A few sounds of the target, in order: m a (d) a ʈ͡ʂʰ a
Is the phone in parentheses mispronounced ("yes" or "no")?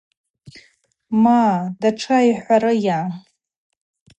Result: no